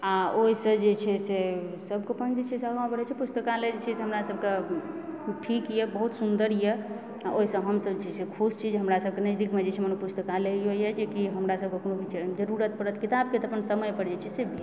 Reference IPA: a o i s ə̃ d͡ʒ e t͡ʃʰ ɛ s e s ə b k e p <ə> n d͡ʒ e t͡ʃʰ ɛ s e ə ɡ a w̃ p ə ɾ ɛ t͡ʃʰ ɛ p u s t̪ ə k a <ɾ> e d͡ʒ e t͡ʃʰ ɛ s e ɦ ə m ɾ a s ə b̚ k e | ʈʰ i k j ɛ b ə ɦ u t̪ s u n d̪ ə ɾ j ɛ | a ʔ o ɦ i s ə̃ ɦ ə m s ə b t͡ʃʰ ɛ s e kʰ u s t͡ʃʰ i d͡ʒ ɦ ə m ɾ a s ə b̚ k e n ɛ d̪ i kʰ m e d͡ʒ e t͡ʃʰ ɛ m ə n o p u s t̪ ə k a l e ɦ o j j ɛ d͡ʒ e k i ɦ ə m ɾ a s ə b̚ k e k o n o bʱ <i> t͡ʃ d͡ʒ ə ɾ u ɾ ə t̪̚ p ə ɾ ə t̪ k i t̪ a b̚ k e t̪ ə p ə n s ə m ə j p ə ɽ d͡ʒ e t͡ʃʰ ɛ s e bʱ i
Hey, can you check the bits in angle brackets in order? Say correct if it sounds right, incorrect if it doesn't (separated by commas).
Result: correct, incorrect, correct